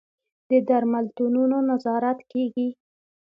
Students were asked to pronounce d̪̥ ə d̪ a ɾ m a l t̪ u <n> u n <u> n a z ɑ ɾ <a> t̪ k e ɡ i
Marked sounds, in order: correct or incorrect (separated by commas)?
correct, incorrect, correct